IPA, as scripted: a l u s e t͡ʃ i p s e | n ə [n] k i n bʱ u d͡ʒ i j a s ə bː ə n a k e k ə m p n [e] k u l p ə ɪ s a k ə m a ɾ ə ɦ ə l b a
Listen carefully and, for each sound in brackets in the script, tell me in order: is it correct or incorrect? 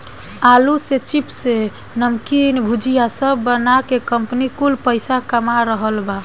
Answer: incorrect, incorrect

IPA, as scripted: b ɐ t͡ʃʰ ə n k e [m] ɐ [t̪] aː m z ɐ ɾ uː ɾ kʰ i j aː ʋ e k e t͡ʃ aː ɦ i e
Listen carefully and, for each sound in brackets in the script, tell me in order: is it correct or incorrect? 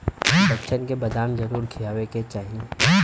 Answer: incorrect, incorrect

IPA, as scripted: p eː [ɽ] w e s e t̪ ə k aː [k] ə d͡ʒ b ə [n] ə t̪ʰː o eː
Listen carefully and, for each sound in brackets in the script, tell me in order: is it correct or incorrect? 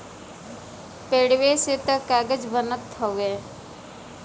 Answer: correct, incorrect, correct

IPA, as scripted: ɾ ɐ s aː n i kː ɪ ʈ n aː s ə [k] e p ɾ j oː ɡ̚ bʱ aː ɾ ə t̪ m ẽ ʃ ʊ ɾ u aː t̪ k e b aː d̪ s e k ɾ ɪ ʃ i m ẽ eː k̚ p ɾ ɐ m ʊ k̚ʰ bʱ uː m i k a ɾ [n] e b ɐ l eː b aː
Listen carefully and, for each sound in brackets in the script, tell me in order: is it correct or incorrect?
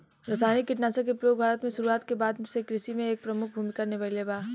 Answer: correct, correct

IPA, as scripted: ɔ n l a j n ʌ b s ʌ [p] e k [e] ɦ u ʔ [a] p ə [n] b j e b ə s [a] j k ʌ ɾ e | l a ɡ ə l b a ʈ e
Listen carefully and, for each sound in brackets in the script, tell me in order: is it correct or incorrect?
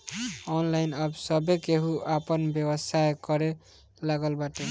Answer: incorrect, correct, correct, correct, correct

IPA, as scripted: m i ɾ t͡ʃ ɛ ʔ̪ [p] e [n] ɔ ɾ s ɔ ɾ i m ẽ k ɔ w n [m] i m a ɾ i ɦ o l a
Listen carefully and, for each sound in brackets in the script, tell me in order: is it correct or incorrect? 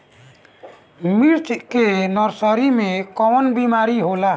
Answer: incorrect, correct, incorrect

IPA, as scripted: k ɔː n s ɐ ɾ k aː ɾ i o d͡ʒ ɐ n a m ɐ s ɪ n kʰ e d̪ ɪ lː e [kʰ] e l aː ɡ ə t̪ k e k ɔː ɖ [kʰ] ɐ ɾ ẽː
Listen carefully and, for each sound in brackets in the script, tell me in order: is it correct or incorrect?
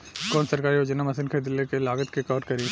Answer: incorrect, incorrect

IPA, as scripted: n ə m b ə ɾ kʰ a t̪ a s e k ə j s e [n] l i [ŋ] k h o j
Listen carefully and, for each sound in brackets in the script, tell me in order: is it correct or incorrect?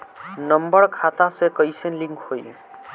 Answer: correct, correct

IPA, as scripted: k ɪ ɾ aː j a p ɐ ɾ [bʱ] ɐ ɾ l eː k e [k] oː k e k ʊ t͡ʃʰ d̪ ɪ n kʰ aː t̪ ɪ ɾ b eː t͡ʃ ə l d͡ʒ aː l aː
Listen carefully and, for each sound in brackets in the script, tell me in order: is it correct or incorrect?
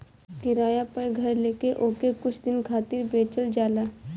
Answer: incorrect, incorrect

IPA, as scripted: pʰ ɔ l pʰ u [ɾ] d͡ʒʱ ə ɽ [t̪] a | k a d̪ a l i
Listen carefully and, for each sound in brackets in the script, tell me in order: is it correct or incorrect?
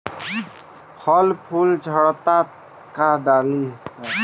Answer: incorrect, correct

